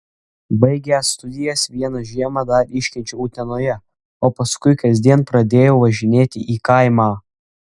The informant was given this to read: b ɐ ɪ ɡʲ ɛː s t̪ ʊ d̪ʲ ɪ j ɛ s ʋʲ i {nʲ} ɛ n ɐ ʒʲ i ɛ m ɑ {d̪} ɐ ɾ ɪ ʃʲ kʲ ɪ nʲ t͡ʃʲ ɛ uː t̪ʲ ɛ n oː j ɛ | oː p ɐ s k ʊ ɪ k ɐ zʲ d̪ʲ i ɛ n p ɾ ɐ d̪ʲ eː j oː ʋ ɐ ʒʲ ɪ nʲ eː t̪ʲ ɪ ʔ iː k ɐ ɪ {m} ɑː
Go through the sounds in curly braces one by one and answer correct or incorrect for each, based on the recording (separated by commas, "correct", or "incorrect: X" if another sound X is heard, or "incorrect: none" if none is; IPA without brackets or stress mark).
incorrect: none, correct, correct